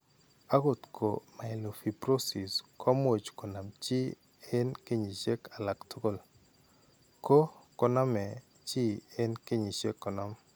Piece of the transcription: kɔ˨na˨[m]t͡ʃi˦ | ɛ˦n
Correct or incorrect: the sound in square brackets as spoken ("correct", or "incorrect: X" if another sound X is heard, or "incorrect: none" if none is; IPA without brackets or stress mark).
correct